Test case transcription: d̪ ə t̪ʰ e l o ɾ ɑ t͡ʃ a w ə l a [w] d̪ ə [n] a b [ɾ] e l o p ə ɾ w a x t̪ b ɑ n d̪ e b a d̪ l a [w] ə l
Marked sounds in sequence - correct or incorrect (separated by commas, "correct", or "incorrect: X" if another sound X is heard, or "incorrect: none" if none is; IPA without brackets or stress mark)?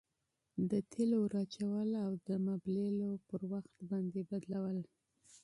correct, incorrect: m, incorrect: l, correct